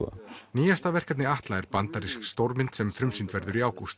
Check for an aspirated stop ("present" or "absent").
absent